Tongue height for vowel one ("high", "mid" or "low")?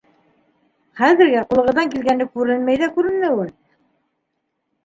low